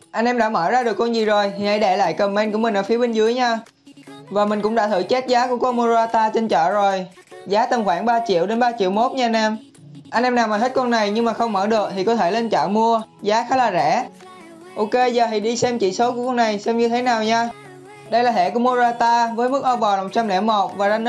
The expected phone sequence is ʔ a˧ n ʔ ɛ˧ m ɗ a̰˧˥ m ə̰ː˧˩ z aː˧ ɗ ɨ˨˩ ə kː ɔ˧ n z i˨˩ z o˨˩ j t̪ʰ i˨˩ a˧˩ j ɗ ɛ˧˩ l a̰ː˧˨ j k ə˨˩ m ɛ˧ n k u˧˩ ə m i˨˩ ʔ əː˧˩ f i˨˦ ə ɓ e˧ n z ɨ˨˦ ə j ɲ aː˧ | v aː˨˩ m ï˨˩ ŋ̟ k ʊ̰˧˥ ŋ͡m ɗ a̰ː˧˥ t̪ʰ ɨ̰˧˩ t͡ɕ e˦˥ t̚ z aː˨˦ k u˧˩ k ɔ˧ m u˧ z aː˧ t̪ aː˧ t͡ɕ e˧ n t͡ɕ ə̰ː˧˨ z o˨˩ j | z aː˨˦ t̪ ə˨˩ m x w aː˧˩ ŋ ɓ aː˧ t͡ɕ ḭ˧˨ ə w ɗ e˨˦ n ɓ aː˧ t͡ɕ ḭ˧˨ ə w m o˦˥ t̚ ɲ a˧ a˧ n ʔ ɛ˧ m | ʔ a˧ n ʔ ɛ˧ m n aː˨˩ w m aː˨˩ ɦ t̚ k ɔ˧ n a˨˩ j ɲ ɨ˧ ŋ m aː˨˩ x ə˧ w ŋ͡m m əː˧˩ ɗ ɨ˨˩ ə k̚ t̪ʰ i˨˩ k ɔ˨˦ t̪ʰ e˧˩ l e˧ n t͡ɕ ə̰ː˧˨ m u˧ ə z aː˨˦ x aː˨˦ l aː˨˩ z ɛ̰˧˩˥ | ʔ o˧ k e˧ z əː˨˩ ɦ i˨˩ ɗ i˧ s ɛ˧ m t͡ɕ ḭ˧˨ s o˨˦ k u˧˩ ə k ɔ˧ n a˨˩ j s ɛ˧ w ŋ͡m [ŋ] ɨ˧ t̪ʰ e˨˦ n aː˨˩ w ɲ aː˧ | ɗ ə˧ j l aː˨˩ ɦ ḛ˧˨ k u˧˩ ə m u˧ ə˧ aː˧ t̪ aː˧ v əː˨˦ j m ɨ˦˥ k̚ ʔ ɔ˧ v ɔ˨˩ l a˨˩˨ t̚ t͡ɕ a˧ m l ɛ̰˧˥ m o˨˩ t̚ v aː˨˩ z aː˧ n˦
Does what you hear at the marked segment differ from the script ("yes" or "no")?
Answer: yes